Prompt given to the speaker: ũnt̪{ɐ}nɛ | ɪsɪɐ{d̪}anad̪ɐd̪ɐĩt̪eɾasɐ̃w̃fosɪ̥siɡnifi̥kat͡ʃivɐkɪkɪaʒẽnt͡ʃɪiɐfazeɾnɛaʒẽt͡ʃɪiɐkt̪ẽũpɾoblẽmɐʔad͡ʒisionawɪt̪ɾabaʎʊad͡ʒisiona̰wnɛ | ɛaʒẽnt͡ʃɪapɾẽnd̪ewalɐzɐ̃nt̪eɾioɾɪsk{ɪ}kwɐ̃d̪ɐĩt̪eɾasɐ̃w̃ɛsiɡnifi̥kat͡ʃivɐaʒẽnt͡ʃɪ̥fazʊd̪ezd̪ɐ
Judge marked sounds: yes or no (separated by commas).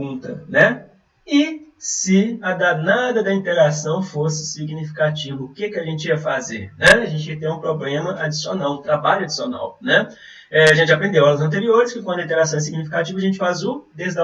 yes, yes, yes